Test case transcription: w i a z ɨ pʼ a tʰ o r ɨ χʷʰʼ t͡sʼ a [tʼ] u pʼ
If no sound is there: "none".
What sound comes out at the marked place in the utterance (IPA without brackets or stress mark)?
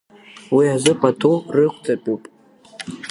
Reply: pʼ